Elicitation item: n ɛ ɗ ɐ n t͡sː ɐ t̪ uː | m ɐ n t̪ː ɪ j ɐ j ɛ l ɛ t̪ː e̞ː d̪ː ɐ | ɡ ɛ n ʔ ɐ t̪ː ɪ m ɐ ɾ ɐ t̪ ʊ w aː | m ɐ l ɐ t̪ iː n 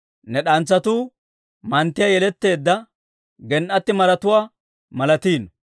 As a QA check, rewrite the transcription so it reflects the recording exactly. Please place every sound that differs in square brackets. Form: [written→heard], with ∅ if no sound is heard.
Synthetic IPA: n ɛ ɗ ɐ n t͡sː ɐ t̪ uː | m ɐ n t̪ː ɪ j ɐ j ɛ l ɛ t̪ː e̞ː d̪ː ɐ | ɡ ɛ n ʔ ɐ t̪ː ɪ m ɐ ɾ ɐ t̪ ʊ w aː | m ɐ l ɐ t̪ iː n

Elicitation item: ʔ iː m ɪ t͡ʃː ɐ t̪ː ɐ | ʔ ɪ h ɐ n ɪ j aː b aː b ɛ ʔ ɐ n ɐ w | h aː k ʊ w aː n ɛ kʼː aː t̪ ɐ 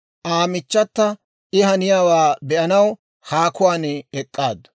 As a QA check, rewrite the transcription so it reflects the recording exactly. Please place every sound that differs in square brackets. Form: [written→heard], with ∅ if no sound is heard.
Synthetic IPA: ʔ [iː→aː] m ɪ t͡ʃː ɐ t̪ː ɐ | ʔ ɪ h ɐ n ɪ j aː [b→w] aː b ɛ ʔ ɐ n ɐ w | h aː k ʊ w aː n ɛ kʼː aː [t̪→d̪] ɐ

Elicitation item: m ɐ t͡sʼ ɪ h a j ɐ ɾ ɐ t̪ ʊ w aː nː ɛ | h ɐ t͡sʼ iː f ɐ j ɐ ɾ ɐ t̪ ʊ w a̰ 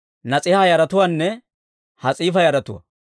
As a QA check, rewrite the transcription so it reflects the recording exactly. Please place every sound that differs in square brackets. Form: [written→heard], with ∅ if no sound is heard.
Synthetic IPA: [m→n] ɐ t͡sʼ ɪ h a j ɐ ɾ ɐ t̪ ʊ w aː nː ɛ | h ɐ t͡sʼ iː f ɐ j ɐ ɾ ɐ t̪ ʊ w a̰

